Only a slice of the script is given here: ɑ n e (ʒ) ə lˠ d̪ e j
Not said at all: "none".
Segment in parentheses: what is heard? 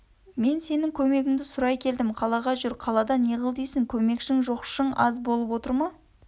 ʁ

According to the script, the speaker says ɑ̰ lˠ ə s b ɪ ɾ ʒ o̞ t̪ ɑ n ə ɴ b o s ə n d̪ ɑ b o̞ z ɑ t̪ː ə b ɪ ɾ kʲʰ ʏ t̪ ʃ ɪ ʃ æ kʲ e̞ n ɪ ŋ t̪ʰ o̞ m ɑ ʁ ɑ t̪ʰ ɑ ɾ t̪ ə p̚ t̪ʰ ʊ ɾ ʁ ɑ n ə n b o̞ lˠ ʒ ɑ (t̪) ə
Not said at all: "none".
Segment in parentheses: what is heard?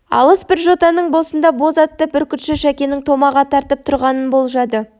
d̪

